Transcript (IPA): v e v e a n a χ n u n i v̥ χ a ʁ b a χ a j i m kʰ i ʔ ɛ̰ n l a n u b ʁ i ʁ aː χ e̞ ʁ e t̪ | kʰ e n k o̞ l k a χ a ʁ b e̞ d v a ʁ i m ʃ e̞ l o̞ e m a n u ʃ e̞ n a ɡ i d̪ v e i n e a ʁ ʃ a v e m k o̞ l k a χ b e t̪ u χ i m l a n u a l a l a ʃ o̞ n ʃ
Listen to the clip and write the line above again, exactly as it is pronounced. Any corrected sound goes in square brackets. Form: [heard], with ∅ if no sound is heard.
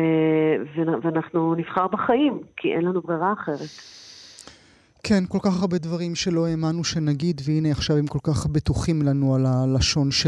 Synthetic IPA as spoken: v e v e a n a χ n u n i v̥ χ a ʁ b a χ a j i m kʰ i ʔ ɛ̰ n l a n u b ʁ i ʁ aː χ e̞ ʁ e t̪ | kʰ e n k o̞ l k a χ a ʁ b e̞ d v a ʁ i m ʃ e̞ l o̞ e m a n u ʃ e̞ n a ɡ i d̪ v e i n e a [χ] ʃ a v e m k o̞ l k a χ b e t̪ u χ i m l a n u a l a l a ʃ o̞ n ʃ